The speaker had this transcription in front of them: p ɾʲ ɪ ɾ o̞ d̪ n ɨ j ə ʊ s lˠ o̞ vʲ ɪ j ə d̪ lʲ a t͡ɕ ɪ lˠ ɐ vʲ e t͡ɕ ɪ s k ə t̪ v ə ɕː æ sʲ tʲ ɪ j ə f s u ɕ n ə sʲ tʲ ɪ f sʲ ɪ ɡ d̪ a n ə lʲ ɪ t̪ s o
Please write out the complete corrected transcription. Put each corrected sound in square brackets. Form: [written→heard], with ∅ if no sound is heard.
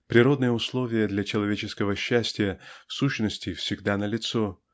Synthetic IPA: p ɾʲ ɪ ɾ o̞ d̪ n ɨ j ə ʊ s lˠ o̞ vʲ ɪ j ə d̪ lʲ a t͡ɕ ɪ lˠ ɐ vʲ e t͡ɕ ɪ s k ə [t̪→∅] v ə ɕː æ sʲ tʲ ɪ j ə f s u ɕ n ə sʲ tʲ ɪ f sʲ ɪ ɡ d̪ a n ə lʲ ɪ t̪ s o